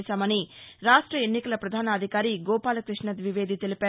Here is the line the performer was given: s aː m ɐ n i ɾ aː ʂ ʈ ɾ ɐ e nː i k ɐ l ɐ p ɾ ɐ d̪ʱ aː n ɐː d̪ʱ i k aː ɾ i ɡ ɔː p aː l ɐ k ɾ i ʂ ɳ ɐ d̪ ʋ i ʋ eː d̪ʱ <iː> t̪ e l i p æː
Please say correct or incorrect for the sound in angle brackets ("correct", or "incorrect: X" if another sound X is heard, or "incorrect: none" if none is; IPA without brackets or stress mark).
incorrect: i